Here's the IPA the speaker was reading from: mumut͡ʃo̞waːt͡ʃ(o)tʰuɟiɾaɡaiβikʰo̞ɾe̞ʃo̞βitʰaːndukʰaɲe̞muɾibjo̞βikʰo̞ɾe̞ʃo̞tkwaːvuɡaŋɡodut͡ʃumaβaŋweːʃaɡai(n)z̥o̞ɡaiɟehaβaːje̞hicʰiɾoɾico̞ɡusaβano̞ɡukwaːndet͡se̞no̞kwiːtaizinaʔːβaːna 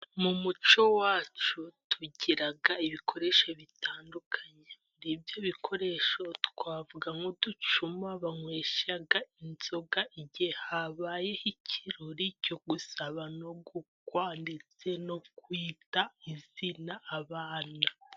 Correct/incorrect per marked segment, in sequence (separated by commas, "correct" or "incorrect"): incorrect, correct